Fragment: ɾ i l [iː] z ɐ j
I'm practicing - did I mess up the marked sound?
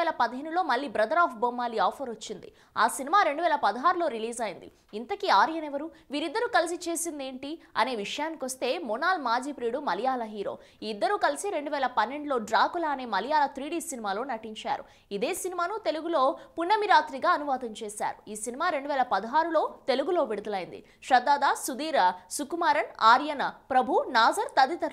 no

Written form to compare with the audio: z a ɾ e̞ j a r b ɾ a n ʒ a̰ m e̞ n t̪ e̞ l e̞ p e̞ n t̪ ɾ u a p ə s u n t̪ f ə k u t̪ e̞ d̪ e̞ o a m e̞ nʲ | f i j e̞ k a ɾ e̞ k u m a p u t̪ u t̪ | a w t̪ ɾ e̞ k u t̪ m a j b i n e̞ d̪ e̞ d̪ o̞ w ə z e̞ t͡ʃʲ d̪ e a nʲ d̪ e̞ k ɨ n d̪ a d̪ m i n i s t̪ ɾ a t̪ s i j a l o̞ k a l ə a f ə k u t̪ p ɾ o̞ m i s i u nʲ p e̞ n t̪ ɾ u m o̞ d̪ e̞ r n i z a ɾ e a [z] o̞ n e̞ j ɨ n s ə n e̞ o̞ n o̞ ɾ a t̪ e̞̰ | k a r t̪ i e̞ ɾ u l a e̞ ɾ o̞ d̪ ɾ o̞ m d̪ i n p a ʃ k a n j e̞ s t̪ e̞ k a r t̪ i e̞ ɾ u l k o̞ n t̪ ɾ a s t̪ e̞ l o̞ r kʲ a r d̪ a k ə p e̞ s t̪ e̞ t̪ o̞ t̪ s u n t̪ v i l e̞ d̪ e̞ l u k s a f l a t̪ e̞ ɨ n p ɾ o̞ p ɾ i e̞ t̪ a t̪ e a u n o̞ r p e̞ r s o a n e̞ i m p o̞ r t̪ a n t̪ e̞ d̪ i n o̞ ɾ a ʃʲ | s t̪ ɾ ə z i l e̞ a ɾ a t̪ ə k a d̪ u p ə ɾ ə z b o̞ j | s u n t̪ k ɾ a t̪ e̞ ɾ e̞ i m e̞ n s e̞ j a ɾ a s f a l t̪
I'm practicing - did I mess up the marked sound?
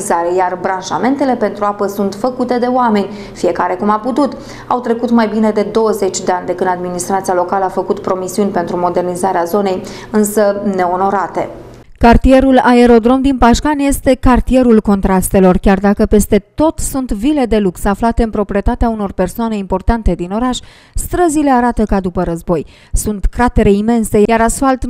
no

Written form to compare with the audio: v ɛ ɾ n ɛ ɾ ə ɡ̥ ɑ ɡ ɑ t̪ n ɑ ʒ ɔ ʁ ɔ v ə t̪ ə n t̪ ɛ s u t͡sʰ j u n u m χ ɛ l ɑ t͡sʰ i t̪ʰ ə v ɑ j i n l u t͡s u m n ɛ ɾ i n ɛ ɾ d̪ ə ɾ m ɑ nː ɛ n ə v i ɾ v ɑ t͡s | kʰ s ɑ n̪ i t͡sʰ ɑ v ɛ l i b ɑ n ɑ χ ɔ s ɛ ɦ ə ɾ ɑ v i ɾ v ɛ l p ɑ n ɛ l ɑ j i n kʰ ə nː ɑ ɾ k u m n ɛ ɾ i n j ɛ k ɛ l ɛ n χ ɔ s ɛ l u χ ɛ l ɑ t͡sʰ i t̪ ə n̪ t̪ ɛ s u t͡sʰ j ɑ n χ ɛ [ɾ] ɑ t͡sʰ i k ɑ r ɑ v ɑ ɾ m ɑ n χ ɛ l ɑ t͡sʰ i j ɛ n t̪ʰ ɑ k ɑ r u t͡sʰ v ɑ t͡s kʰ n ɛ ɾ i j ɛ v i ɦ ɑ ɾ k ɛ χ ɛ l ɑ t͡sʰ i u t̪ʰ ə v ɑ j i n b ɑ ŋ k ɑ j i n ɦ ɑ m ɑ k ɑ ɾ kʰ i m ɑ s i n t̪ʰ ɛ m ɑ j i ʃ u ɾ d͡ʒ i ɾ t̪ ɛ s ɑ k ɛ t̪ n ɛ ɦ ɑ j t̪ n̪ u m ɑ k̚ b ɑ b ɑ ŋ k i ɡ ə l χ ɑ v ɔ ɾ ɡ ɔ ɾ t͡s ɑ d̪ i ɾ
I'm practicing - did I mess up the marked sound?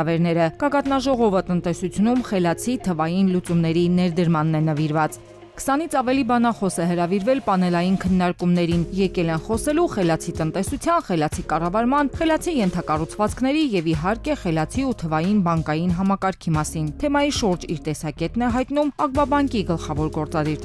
yes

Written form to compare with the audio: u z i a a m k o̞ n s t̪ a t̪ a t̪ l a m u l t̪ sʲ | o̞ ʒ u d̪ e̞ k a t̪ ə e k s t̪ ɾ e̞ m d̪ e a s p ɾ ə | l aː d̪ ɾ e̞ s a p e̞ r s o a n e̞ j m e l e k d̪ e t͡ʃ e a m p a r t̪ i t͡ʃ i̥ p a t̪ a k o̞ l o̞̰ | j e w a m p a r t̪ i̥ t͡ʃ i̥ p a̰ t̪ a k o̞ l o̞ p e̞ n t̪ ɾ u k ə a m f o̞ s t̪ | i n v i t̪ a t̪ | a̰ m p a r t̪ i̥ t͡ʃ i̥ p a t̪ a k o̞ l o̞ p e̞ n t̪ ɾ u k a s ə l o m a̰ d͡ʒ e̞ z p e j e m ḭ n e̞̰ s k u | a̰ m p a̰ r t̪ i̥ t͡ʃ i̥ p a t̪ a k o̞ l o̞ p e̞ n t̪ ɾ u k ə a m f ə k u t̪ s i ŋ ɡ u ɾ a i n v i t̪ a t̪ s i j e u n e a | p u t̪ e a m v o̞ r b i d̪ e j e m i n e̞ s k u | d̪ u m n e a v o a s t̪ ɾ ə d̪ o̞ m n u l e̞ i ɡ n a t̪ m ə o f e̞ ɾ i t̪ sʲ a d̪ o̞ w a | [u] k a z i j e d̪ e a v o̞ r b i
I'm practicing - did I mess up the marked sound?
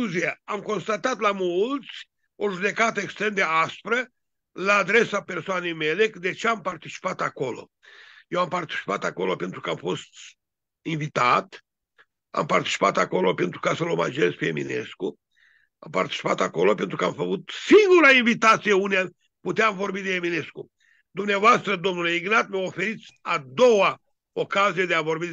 yes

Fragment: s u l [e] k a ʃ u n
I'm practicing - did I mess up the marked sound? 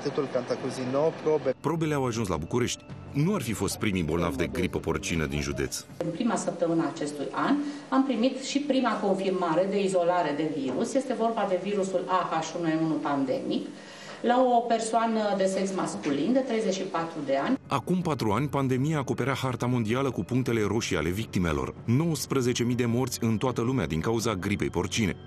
yes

